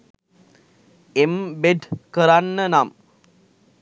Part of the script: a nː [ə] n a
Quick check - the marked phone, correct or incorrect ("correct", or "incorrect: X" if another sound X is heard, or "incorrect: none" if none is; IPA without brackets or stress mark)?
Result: correct